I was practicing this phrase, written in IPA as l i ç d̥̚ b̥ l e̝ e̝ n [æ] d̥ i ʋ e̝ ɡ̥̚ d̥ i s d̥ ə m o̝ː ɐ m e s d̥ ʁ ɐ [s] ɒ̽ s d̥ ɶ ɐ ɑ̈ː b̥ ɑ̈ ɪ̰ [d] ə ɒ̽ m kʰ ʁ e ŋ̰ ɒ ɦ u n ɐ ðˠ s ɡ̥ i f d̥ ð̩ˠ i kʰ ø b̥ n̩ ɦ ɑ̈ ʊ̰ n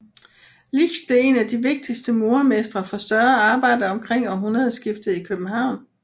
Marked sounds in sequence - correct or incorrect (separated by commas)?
correct, incorrect, correct